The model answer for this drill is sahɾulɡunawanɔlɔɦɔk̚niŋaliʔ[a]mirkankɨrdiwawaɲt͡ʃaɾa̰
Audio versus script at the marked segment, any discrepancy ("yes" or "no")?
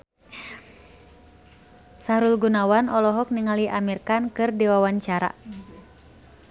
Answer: no